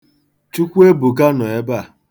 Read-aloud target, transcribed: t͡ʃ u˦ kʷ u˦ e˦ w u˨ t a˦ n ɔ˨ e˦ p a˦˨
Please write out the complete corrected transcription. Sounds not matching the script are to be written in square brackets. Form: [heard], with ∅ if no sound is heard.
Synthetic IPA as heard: t͡ʃ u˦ kʷ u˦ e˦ [b] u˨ [k] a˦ n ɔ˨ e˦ [b] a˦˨